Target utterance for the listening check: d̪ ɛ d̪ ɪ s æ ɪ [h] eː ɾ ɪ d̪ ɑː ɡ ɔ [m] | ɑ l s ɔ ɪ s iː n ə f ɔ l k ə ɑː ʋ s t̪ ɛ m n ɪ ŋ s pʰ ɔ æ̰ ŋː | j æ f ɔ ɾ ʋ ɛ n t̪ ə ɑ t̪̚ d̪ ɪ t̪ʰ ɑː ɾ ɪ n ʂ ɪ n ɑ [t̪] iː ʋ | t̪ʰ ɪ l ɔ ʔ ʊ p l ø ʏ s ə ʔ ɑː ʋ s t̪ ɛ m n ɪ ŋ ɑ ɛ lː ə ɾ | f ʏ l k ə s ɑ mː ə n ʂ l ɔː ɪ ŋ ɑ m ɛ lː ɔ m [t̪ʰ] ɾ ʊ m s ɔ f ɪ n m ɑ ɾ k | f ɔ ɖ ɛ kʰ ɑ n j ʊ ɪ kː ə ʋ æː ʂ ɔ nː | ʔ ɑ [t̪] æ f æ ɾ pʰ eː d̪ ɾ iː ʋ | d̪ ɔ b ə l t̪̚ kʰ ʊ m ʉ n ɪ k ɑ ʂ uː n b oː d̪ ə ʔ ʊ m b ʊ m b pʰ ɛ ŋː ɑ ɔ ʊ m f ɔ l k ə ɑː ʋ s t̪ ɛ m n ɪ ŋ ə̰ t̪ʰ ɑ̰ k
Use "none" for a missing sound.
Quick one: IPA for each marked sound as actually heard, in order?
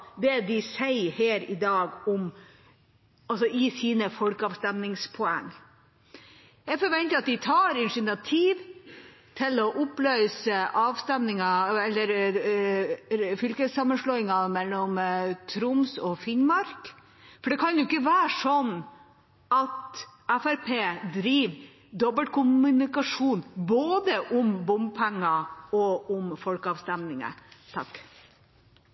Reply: h, m, t̪ʰ, t̪ʰ, t̪

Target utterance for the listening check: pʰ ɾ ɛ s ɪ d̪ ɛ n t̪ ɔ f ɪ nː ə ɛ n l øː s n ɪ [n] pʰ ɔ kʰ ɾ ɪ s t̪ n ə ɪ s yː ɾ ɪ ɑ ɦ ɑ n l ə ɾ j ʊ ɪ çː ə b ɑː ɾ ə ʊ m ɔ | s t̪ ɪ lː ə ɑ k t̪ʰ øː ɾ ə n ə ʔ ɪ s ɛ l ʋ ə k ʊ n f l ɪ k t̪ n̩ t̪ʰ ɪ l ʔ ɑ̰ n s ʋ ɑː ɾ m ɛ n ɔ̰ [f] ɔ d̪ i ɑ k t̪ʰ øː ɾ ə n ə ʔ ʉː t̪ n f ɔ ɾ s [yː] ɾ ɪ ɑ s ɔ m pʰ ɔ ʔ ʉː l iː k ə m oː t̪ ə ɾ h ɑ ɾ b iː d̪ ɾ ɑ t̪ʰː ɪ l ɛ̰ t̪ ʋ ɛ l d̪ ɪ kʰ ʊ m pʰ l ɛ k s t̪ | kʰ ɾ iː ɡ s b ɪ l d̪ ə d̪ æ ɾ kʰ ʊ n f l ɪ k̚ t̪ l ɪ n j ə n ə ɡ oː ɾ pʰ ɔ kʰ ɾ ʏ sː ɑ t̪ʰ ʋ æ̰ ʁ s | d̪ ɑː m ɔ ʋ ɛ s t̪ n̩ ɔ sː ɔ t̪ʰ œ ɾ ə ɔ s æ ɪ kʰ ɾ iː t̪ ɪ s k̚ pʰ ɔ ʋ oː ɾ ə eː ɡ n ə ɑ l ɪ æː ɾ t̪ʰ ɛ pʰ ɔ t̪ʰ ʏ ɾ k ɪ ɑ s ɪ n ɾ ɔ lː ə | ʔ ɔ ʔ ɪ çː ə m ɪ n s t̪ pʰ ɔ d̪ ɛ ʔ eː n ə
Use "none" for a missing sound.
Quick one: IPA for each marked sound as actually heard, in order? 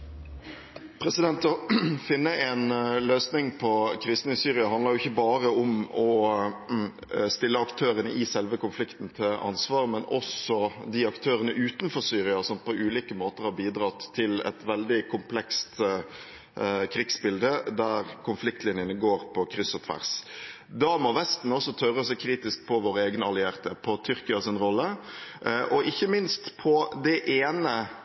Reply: ŋ, s, yː

